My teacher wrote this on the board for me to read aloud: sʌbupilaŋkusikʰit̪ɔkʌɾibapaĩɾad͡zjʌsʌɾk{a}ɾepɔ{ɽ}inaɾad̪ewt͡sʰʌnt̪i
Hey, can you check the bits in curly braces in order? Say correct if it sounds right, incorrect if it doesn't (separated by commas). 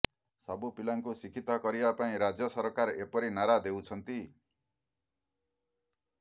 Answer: correct, incorrect